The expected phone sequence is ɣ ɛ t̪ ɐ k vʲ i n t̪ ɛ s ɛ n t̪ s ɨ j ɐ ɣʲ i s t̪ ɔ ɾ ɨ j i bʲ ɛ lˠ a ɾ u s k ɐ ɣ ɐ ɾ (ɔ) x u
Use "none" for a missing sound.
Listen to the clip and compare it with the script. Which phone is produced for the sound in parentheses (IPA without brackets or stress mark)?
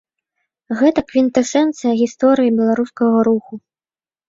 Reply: u